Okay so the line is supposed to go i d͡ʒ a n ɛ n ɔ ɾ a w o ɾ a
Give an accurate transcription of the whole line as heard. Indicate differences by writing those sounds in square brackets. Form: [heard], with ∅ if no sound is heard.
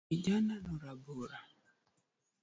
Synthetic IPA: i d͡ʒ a n [a] n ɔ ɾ a [b] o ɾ a